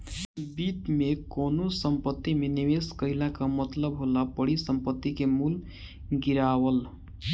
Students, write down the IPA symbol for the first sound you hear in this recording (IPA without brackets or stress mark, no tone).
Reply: b